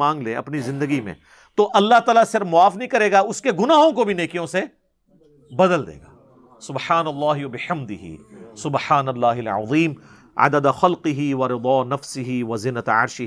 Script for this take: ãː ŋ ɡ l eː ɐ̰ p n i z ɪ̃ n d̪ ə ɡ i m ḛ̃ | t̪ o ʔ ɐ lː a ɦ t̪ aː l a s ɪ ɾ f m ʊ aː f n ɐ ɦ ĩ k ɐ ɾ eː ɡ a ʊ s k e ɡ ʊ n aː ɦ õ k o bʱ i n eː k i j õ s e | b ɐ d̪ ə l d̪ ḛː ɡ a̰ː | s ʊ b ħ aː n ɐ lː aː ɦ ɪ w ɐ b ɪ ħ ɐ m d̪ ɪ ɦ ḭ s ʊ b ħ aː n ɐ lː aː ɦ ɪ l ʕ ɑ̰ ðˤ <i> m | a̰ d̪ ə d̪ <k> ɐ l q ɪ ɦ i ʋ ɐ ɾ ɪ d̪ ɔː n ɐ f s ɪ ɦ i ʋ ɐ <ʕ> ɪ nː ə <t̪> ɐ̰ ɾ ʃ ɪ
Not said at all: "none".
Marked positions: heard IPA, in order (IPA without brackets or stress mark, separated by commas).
iː, x, z, t̪